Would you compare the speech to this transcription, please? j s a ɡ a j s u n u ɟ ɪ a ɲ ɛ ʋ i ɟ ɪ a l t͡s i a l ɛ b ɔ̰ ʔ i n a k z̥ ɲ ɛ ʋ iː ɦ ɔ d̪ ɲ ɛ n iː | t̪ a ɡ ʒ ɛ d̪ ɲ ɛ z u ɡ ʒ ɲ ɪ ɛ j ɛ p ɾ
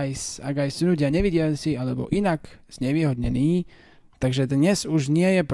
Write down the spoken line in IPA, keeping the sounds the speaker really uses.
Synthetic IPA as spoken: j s a ɡ a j s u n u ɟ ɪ a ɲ ɛ ʋ i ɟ ɪ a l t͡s i a l ɛ b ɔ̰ ʔ i n a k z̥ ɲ ɛ ʋ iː ɦ ɔ d̪ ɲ ɛ n iː | t̪ a ɡ ʒ ɛ d̪ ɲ ɛ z u ʒ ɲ ɪ ɛ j ɛ p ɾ